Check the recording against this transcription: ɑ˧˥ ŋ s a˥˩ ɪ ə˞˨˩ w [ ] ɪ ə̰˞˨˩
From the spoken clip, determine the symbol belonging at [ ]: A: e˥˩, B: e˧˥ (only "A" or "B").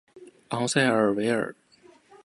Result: B